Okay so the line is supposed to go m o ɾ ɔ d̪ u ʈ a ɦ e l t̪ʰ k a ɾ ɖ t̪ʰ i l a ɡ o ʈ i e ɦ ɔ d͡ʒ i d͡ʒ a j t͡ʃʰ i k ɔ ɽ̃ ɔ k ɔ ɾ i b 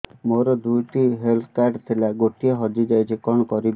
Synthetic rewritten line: m o ɾ ɔ d̪ u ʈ i ɦ e l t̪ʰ k a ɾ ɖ t̪ʰ i l a ɡ o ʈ i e ɦ ɔ d͡ʒ i d͡ʒ a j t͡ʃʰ i k ɔ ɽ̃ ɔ k ɔ ɾ i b